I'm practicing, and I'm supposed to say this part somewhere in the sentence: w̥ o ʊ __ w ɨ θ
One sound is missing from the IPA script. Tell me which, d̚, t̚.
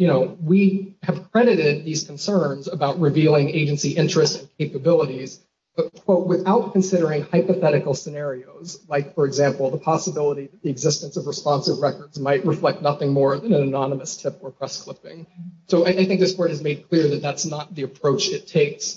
t̚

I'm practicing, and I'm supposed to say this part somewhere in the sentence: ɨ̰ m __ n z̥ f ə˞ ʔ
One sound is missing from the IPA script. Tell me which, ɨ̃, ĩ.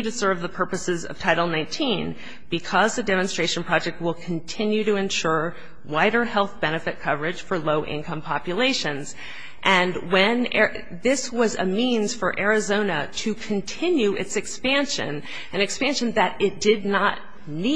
ĩ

